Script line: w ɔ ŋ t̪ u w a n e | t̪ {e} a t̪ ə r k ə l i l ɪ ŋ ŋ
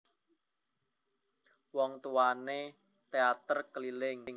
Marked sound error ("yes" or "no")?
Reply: no